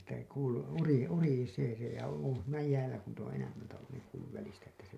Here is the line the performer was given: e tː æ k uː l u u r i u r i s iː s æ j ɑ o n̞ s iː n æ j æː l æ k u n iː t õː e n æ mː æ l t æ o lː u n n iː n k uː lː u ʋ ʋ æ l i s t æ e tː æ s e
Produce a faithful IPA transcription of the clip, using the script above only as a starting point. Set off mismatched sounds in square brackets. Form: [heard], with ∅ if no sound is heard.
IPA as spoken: e tː æ k uː l u u r i u r i s [eː] s [e] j ɑ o n̞ s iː n æ j æː l æ k u n iː t õː e n æ mː æ l t æ o lː u n n iː [ŋ] k uː lː u ʋ ʋ æ l i s t æ e tː æ s e